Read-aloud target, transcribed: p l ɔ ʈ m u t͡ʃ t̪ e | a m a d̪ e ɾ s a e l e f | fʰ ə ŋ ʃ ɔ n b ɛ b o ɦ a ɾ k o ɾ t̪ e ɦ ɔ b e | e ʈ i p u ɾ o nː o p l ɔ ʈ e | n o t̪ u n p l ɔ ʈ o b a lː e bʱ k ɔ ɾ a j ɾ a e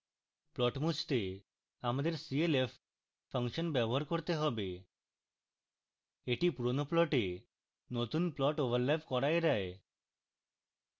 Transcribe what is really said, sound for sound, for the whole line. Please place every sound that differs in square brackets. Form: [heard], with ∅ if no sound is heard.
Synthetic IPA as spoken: p l ɔ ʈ m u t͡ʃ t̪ e | a m a d̪ e ɾ s [i] e l e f | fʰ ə ŋ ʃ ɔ n b ɛ b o ɦ a ɾ k o ɾ t̪ e ɦ ɔ b e | e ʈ i p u ɾ o [n] o p l ɔ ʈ e | n o t̪ u n p l ɔ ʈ o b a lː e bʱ k ɔ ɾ a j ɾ a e